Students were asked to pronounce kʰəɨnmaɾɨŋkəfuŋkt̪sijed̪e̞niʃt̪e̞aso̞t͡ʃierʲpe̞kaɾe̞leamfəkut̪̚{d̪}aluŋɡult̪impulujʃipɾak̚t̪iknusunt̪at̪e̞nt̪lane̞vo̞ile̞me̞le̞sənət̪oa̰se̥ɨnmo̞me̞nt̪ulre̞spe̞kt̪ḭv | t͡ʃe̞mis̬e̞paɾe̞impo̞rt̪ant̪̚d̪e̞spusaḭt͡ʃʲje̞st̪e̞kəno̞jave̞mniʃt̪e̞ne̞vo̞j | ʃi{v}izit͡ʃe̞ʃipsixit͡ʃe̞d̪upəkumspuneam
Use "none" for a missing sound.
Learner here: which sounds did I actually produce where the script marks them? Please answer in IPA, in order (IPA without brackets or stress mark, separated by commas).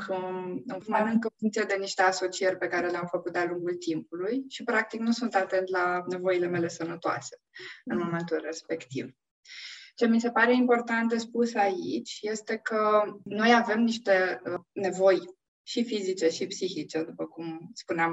d̪, f